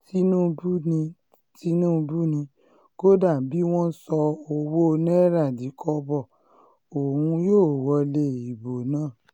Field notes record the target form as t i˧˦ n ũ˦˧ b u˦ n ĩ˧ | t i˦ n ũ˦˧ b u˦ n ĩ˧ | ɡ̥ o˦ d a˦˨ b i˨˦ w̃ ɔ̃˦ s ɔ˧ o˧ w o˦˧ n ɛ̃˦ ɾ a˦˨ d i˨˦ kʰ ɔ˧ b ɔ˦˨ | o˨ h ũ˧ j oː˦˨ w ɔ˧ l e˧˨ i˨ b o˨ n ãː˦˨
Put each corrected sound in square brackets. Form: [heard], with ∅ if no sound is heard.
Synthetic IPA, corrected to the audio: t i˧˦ n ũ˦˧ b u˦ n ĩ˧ | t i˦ n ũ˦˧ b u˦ n ĩ˧ | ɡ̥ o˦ d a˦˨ b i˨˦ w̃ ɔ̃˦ s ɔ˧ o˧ w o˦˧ n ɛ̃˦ ɾ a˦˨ d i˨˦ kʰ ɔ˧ b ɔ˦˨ | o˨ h ũ˧ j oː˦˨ w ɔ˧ l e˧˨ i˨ b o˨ n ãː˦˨